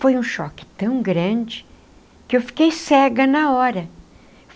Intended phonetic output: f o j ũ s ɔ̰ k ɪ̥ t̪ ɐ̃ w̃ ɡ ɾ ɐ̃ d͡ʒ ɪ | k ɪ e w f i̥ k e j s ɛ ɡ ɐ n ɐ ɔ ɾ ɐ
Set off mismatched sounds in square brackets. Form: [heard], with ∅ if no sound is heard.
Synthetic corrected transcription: f o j ũ [ʃ] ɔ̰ k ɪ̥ t̪ ɐ̃ w̃ ɡ ɾ ɐ̃ d͡ʒ ɪ | k ɪ e w f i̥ k e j s ɛ ɡ ɐ n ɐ ɔ ɾ ɐ

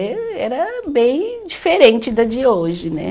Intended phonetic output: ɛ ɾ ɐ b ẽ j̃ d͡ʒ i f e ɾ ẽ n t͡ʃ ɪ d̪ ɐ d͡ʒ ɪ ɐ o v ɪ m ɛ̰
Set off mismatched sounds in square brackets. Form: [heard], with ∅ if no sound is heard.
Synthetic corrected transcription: ɛ ɾ ɐ b ẽ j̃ d͡ʒ i f e ɾ ẽ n t͡ʃ ɪ d̪ ɐ d͡ʒ [i] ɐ o [ʒ] ɪ [n] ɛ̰

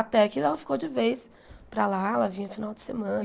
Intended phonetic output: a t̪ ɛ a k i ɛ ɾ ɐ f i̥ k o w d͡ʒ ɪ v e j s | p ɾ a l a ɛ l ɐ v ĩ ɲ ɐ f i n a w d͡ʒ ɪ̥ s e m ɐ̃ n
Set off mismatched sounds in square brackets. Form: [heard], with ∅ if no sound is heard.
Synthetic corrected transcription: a t̪ ɛ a k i ɛ [l] ɐ f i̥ k o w d͡ʒ ɪ v e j s | p ɾ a l a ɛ l ɐ v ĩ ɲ ɐ f i n a w d͡ʒ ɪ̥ s e m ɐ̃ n

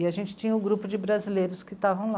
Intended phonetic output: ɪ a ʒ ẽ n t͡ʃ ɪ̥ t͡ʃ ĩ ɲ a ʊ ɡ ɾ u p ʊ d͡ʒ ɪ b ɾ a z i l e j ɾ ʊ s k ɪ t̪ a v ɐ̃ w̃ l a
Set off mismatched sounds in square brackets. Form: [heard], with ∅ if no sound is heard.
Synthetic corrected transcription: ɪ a ʒ ẽ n t͡ʃ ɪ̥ t͡ʃ ĩ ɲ [ɐ] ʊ ɡ ɾ u p ʊ d͡ʒ ɪ b ɾ a z i l e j ɾ ʊ s k ɪ t̪ a v ɐ̃ w̃ l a

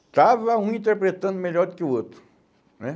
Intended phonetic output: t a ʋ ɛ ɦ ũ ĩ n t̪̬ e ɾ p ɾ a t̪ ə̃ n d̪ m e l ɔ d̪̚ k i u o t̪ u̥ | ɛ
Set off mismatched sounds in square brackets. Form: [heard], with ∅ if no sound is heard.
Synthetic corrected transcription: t a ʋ [a] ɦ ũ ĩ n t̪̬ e ɾ p ɾ [e] t̪ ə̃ n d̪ m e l ɔ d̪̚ k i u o t̪ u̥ | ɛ

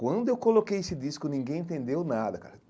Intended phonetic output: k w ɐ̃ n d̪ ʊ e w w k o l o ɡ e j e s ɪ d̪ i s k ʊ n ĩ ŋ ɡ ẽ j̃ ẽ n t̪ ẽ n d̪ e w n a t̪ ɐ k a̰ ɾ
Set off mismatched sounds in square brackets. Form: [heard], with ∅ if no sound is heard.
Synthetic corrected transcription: k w ɐ̃ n d̪ ʊ e w w k o l o [k] e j e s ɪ d̪ i s k ʊ n ĩ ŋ ɡ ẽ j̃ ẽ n t̪ ẽ n d̪ e w n a [d̪] ɐ k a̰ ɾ

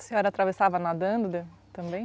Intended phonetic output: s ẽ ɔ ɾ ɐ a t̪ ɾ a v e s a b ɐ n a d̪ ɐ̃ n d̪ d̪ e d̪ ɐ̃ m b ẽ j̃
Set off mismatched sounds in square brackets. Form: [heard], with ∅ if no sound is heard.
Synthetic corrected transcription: s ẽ ɔ ɾ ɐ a t̪ ɾ a v e s a [v] ɐ n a d̪ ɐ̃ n d̪ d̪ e [t̪] ɐ̃ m b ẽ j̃

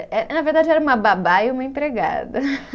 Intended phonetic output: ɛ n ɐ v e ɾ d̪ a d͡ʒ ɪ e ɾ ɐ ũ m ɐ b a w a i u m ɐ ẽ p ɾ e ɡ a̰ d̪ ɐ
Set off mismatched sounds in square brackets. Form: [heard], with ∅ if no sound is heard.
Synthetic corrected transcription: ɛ n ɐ v e ɾ d̪ a d͡ʒ ɪ [ɛ] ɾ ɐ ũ m ɐ b a [b] a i u m ɐ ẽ p ɾ e ɡ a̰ d̪ ɐ

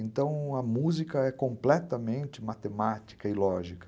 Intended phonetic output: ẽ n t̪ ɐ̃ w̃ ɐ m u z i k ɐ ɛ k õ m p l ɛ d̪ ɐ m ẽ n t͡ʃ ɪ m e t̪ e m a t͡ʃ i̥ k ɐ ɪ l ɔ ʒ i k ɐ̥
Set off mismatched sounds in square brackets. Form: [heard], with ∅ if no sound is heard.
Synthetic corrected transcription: ẽ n t̪ ɐ̃ w̃ ɐ m u z i k ɐ ɛ k õ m p l ɛ [t̪] ɐ m ẽ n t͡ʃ ɪ m [a] t̪ e m a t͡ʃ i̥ k ɐ ɪ l ɔ ʒ i k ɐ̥

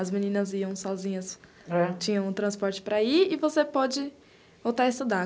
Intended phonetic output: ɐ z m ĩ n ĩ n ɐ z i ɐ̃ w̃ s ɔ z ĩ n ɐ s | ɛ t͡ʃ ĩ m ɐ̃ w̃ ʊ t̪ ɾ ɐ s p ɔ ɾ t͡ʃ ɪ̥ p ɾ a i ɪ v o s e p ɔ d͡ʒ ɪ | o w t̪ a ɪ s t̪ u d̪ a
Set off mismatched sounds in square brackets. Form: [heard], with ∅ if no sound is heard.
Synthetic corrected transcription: ɐ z m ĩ n ĩ n ɐ z i ɐ̃ w̃ s ɔ z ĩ [ɲ] ɐ s | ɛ t͡ʃ ĩ [ɲ] ɐ̃ w̃ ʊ t̪ ɾ [ɐ̃] s p ɔ ɾ t͡ʃ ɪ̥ p ɾ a i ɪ v o s e p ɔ d͡ʒ ɪ | o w t̪ a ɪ s t̪ u d̪ a

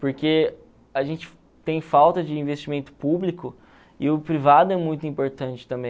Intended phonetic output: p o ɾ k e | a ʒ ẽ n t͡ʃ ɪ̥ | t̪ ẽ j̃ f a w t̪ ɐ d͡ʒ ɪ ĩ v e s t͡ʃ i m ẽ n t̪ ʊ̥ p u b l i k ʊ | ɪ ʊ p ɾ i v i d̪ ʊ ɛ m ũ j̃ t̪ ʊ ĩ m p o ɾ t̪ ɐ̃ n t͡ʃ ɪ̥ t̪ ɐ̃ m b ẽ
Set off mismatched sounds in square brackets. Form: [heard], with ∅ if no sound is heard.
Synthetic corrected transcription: p o ɾ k e | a ʒ ẽ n t͡ʃ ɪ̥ | t̪ ẽ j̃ f a w t̪ ɐ d͡ʒ ɪ ĩ v e s t͡ʃ i m ẽ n t̪ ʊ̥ p u b l i k ʊ | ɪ ʊ p ɾ i v [a] d̪ ʊ ɛ m ũ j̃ t̪ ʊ ĩ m p o ɾ t̪ ɐ̃ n t͡ʃ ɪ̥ t̪ ɐ̃ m b ẽ

